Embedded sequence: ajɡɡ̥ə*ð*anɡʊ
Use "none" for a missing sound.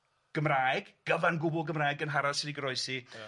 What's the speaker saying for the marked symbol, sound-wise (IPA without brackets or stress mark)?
v